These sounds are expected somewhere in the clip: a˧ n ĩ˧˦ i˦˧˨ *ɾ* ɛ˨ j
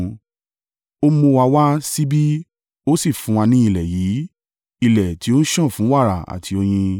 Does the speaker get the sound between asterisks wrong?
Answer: yes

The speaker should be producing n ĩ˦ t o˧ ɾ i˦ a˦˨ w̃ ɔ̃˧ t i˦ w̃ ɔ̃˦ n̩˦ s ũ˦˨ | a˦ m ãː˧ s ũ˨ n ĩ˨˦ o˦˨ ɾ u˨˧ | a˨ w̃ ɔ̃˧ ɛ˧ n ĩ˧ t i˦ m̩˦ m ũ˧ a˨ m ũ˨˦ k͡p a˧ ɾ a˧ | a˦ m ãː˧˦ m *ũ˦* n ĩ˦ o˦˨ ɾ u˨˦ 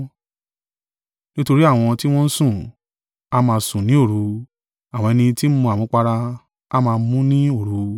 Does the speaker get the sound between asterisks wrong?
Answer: no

